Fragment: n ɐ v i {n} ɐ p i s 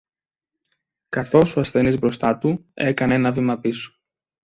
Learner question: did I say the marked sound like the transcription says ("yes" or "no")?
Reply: no